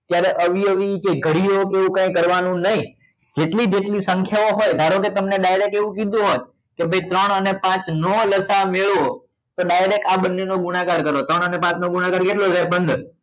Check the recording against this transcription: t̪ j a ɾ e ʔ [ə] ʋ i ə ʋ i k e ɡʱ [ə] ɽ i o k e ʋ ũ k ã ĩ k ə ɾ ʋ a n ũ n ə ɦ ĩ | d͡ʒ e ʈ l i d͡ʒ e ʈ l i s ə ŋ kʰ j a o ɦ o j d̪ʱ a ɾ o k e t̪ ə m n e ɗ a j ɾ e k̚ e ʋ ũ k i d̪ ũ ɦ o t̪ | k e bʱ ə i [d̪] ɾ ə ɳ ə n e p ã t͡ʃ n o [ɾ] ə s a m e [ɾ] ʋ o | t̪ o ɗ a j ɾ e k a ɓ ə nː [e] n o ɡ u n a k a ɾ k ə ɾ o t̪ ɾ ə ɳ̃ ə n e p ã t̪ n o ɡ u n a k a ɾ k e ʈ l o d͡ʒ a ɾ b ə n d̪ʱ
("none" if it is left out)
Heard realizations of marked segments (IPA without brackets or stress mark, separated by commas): ə, ə, t̪, l, ɭ, e